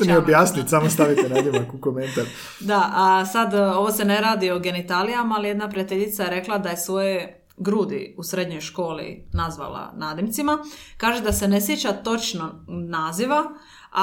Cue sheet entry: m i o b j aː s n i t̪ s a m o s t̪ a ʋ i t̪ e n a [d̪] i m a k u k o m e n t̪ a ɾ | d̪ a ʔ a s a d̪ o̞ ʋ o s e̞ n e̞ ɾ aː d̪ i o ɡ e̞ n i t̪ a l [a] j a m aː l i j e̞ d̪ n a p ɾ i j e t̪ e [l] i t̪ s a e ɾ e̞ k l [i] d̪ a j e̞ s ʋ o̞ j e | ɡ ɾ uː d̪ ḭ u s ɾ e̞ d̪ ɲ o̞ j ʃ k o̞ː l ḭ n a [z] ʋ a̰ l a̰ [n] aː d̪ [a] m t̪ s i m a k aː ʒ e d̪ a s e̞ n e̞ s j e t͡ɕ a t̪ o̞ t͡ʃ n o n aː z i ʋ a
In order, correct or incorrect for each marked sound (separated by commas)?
correct, incorrect, incorrect, incorrect, correct, correct, incorrect